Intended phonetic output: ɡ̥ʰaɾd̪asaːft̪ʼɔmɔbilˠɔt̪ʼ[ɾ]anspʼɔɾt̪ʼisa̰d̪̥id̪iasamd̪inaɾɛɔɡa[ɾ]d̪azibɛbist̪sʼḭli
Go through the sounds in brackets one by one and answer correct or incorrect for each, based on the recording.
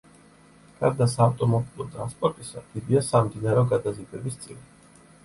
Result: correct, incorrect: none

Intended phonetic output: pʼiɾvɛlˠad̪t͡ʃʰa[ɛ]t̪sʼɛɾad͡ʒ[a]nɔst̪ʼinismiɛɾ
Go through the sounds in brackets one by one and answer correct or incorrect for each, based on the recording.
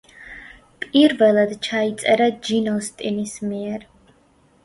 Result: incorrect: i, incorrect: i

